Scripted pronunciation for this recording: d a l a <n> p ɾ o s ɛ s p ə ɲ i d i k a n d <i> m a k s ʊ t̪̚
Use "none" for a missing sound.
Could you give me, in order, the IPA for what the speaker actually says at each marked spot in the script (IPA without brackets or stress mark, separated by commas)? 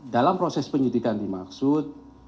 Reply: m, i